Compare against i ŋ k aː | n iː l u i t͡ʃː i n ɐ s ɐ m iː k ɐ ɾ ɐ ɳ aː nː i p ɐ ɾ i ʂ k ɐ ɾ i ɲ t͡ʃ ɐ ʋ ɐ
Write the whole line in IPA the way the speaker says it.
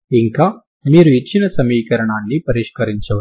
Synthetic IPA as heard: i ŋ k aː | m iː ɾ u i t͡ʃː i n ɐ s ɐ m iː k ɐ ɾ ɐ ɳ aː nː i p ɐ ɾ i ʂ k ɐ ɾ i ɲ t͡ʃ ɐ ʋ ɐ